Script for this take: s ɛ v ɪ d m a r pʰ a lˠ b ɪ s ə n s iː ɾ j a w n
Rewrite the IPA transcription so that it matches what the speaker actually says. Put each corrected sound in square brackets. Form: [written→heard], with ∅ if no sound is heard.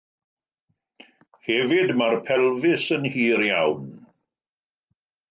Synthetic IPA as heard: [s→h] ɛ v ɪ d m a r pʰ [a→ɛ] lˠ [b→v] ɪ s ə n [s→h] iː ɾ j a w n